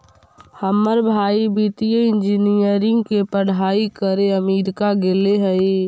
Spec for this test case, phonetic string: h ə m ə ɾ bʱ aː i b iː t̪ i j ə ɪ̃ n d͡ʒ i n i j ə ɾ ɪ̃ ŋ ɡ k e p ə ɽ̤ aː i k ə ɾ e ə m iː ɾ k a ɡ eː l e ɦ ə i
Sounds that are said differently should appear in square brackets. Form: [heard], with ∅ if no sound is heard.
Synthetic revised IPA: h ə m ə ɾ bʱ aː i b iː t̪ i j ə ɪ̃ n d͡ʒ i n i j ə ɾ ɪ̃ ŋ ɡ k e p ə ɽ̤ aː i k ə ɾ e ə m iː ɾ k a ɡ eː l e ɦ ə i